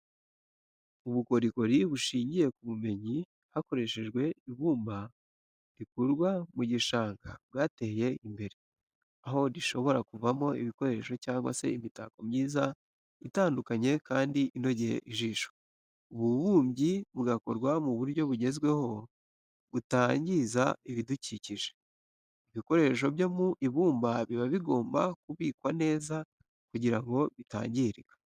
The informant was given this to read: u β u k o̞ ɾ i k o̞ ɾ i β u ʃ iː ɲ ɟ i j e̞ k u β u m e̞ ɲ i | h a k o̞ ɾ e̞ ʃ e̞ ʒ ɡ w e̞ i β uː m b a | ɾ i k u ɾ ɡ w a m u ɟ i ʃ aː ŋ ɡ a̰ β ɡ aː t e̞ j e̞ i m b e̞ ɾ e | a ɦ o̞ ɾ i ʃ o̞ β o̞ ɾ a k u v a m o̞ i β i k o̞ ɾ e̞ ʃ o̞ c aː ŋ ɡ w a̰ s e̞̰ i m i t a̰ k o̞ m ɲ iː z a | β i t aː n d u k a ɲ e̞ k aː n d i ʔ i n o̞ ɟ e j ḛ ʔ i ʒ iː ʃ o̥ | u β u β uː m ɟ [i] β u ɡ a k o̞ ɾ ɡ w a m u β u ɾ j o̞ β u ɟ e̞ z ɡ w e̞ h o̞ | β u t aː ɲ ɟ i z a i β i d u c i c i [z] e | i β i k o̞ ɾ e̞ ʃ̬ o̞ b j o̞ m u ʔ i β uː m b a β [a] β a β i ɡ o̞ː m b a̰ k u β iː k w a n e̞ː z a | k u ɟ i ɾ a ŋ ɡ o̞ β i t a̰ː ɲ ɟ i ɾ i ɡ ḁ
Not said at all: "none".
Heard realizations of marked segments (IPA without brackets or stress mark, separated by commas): i, ʒ, i